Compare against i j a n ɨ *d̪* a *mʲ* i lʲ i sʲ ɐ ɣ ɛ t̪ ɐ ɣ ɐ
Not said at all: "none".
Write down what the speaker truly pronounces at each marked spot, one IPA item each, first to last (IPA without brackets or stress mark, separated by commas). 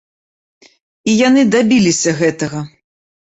d̪, bʲ